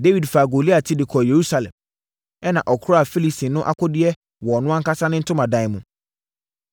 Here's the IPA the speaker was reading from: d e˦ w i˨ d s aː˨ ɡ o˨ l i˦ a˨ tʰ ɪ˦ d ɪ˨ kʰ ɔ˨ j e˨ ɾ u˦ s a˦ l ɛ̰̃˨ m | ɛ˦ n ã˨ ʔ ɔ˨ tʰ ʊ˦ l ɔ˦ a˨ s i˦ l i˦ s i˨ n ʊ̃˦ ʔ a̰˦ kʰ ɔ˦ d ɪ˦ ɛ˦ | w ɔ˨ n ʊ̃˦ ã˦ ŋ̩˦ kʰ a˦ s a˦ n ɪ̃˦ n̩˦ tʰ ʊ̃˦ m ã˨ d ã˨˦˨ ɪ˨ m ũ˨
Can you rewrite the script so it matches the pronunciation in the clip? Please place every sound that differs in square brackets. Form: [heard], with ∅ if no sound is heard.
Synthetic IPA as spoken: d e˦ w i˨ d [f] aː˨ ɡ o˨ l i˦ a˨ tʰ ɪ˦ d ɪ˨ kʰ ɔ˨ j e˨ ɾ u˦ s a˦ l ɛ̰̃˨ m | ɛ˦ n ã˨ ʔ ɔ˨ [kʰ] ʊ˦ [ɾ] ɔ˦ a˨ [f] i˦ l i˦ s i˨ n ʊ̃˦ ʔ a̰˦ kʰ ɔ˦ d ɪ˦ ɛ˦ | w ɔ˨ n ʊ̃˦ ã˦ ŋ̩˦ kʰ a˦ s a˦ n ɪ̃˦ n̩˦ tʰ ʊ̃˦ m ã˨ d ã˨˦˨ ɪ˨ m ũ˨